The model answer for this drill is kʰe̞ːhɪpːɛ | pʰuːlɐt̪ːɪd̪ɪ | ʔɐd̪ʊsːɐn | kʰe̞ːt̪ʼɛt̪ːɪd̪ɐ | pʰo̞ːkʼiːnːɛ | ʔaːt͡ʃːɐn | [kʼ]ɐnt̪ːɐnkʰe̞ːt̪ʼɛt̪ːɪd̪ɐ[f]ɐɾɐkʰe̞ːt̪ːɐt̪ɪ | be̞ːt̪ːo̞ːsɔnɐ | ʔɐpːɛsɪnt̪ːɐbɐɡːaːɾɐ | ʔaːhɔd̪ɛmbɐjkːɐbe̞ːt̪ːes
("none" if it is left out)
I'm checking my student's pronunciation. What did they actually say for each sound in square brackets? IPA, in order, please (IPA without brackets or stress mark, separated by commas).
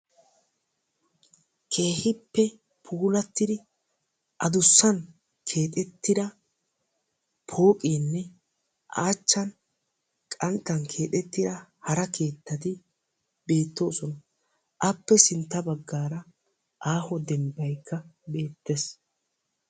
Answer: kʼ, h